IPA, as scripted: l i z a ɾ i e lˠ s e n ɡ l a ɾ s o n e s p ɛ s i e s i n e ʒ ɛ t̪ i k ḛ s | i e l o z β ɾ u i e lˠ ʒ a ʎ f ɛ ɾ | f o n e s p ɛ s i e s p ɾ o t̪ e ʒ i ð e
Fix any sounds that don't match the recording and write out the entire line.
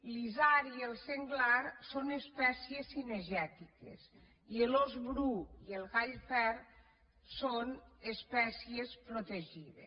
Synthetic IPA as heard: l i z a ɾ i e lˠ s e ŋ ɡ l a ɾ s o n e s p ɛ s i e s i n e ʒ ɛ t̪ i k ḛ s | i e l o z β ɾ u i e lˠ ɣ a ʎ f ɛ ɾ | s o n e s p ɛ s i e s p ɾ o t̪ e ʒ i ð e